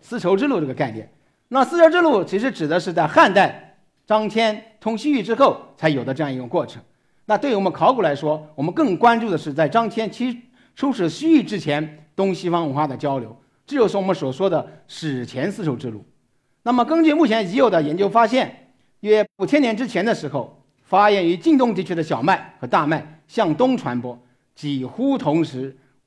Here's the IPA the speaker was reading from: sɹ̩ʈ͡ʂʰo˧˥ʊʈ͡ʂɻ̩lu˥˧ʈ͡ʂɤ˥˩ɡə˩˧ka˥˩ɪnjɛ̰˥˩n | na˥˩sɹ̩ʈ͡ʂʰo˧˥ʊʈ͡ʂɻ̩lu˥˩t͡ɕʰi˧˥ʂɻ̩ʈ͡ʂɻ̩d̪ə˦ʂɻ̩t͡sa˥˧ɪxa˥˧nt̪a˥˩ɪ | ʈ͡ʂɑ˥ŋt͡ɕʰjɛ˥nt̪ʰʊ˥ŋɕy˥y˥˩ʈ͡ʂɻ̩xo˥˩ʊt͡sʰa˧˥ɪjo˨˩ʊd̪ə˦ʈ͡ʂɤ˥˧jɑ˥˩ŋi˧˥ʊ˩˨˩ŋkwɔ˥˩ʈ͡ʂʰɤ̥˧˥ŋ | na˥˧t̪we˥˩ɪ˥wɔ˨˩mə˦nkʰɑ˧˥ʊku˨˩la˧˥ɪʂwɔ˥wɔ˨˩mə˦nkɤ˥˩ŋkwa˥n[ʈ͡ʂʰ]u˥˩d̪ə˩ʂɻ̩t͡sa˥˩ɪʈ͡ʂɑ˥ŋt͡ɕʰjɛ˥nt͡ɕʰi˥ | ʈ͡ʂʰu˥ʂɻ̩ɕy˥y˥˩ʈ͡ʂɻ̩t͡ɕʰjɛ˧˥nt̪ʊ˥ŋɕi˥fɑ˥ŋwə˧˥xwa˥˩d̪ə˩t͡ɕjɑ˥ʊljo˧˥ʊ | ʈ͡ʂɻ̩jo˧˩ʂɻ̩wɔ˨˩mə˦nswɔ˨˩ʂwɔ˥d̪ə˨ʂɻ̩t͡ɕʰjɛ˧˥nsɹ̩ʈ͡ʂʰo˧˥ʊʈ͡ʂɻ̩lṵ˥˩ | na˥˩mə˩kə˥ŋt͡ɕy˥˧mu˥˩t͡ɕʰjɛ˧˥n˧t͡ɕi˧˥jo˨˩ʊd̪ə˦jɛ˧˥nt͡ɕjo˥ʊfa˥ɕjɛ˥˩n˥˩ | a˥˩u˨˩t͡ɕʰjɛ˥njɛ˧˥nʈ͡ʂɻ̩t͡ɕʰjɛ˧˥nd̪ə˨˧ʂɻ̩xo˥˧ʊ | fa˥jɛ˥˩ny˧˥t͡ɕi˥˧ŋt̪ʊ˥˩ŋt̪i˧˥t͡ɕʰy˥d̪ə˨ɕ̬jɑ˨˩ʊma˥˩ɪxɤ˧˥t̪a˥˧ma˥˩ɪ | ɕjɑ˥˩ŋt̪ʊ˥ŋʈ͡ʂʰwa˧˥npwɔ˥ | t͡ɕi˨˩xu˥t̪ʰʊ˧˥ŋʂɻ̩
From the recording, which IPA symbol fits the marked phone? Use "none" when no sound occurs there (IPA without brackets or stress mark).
ʈ͡ʂ